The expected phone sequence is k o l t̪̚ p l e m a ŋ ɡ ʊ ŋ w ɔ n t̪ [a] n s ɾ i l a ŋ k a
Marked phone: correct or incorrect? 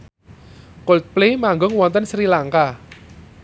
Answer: incorrect